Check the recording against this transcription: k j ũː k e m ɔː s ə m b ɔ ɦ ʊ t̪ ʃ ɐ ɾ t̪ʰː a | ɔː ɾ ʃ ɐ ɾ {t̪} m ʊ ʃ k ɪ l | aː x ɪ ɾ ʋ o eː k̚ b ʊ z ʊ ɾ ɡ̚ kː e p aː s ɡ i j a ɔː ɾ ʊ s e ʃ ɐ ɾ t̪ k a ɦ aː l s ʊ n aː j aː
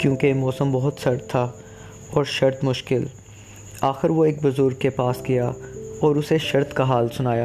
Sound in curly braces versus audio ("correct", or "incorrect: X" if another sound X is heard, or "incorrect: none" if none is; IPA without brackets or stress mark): correct